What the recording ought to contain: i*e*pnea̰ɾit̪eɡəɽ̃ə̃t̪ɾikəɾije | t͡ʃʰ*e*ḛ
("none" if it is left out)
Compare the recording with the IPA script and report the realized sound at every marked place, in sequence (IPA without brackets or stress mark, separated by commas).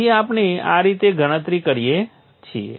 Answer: a, i